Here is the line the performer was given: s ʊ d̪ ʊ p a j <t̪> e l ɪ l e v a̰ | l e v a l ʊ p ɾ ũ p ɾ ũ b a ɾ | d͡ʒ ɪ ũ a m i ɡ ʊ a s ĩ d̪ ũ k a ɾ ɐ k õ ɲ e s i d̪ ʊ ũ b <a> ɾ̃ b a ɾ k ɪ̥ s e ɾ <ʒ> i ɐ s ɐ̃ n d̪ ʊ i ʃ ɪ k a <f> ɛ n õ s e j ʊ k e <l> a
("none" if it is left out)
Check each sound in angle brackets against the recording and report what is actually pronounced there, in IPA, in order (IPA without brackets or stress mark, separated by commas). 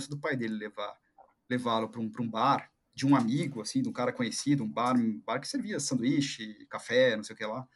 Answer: d̪, a, v, f, l